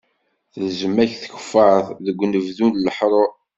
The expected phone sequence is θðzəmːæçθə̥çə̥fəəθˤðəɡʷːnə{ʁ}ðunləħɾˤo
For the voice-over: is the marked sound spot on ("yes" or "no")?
no